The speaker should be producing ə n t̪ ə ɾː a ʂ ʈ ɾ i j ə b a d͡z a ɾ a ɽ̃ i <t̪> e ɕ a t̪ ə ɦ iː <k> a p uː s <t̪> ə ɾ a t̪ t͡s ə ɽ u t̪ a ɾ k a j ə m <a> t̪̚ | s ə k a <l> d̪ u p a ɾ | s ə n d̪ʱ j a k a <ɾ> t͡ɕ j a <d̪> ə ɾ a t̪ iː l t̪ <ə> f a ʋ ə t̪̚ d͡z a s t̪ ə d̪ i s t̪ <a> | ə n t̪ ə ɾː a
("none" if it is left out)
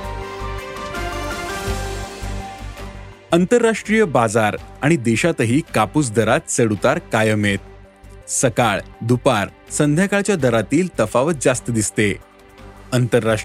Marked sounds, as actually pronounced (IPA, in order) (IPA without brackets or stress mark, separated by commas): d̪, k, d̪, e, ɭ, ɭ, d̪, ə, e